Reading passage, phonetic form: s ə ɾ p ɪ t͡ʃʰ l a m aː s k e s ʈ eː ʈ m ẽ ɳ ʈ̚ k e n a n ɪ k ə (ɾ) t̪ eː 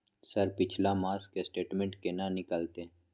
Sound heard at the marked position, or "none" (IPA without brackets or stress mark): l